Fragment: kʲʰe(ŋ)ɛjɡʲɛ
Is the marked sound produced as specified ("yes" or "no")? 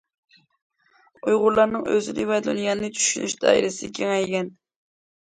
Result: yes